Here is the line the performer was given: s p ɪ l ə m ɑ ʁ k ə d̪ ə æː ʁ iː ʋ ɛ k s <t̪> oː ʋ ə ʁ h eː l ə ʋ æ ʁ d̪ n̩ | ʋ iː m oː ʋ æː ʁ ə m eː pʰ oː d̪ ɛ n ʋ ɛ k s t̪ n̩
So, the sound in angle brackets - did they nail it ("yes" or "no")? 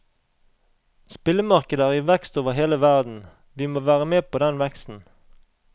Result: yes